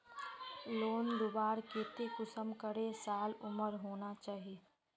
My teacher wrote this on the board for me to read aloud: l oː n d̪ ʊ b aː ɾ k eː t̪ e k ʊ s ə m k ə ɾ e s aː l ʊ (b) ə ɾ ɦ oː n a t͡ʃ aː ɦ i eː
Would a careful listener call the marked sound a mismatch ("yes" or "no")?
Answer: yes